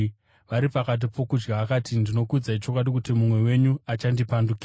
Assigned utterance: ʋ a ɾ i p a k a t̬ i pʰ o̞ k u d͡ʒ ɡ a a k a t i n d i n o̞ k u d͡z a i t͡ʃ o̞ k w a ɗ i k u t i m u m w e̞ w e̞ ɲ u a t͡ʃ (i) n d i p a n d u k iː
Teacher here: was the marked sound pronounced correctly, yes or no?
no